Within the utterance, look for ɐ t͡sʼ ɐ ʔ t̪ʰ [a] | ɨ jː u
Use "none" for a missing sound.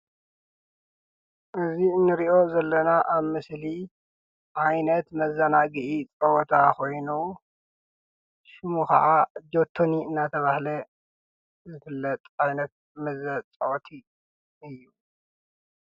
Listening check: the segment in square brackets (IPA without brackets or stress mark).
i